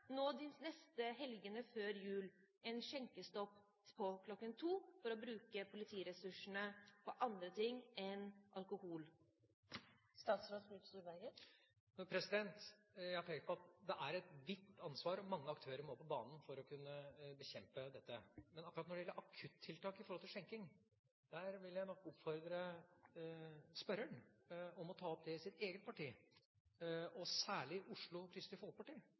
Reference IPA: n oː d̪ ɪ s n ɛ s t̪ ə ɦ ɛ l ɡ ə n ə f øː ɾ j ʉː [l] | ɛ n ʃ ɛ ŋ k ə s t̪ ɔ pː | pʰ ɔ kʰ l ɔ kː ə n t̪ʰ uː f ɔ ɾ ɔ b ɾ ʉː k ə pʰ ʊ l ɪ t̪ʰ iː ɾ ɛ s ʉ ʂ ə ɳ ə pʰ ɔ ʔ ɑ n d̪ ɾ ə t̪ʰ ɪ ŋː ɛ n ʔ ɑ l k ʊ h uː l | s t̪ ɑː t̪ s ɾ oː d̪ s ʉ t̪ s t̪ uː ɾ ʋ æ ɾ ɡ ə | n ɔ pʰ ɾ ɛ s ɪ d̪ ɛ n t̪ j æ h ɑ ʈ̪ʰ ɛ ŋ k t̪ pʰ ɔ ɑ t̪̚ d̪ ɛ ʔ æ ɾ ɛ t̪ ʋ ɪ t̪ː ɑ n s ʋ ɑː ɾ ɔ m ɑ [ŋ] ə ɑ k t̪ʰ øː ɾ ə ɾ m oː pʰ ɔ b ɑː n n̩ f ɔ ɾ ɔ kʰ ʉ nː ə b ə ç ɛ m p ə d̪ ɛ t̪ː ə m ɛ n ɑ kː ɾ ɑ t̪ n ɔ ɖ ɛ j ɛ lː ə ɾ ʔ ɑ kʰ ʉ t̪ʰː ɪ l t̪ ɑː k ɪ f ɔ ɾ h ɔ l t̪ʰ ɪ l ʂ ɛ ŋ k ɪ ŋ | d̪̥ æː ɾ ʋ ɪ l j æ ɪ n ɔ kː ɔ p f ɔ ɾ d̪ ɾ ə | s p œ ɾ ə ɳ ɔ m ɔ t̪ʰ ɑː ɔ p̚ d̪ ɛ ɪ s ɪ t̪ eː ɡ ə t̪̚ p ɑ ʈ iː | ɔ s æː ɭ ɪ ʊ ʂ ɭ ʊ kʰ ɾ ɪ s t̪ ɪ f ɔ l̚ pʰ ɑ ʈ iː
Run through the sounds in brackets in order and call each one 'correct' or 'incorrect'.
correct, incorrect

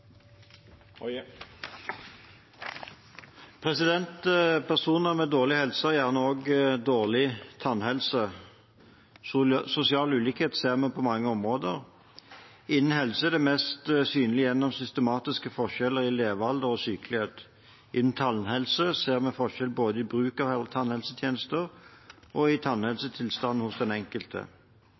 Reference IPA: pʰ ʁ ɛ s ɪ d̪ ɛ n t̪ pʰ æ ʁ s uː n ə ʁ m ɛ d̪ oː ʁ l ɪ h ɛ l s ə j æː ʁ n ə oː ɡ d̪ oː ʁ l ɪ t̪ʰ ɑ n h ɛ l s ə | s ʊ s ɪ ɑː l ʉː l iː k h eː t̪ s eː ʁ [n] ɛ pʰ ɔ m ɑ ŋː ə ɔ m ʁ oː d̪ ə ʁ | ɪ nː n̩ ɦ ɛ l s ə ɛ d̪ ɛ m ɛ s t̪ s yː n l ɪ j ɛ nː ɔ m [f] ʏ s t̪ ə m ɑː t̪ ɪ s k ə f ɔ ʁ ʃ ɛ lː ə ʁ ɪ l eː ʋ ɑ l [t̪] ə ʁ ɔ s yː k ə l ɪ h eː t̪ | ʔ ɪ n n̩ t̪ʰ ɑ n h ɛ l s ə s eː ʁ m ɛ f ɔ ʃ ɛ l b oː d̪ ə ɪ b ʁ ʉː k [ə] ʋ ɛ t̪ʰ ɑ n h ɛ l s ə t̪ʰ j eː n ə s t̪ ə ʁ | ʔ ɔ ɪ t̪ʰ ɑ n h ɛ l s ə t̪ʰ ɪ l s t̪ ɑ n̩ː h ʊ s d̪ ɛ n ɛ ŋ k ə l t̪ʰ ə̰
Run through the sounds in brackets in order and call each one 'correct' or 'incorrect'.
incorrect, incorrect, incorrect, incorrect

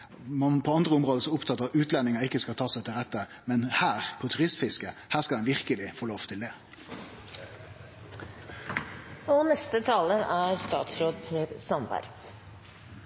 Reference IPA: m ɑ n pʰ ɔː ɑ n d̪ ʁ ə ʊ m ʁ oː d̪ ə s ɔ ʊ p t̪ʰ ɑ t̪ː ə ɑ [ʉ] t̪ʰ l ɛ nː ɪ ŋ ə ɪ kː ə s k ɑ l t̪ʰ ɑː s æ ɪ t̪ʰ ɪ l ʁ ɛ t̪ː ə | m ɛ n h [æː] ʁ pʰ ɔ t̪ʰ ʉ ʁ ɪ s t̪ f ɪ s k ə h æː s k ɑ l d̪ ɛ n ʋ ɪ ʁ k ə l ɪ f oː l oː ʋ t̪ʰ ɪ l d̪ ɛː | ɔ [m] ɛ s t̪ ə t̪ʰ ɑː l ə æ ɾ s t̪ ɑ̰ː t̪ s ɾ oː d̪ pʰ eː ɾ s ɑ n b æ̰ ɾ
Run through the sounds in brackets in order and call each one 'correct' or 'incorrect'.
incorrect, correct, incorrect

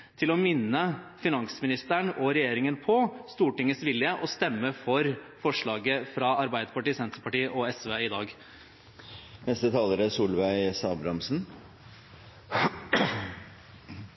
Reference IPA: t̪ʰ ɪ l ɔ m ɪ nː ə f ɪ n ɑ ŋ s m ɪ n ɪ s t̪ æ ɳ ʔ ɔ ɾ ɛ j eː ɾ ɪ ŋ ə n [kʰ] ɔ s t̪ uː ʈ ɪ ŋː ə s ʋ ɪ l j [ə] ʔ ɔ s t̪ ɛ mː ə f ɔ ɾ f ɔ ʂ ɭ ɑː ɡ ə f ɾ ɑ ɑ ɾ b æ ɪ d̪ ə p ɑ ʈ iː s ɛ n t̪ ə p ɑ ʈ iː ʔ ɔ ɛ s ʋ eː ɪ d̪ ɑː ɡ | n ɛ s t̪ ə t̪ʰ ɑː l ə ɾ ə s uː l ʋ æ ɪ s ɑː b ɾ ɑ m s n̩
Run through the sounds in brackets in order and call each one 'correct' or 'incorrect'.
incorrect, correct

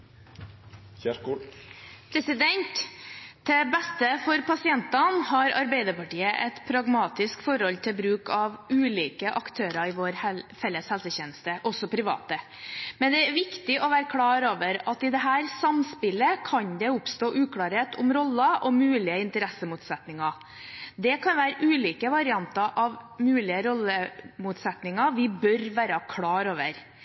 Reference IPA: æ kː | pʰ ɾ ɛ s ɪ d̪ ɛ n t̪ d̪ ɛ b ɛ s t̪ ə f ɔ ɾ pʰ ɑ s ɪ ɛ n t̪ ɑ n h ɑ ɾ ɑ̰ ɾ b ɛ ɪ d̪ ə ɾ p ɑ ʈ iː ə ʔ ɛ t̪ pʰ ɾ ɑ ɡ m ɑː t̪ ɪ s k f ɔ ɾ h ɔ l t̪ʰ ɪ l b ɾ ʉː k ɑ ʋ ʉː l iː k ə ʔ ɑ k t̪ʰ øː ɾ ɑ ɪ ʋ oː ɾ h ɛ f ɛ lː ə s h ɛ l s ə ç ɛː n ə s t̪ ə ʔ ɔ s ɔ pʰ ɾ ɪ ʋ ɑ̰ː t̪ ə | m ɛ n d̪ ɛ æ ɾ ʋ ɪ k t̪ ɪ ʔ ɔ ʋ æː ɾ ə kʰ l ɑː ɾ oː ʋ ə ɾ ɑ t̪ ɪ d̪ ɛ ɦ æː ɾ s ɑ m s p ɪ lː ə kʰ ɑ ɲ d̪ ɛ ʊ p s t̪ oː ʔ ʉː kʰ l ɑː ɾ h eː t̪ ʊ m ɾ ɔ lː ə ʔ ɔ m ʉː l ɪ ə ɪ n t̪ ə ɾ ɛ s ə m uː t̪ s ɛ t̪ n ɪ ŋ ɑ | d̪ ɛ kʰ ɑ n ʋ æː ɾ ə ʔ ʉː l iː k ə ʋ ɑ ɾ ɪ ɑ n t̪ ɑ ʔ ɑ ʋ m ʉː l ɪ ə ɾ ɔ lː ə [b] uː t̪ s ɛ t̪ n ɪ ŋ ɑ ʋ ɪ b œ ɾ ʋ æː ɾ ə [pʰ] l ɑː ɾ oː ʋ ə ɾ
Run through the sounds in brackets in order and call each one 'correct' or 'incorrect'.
incorrect, incorrect

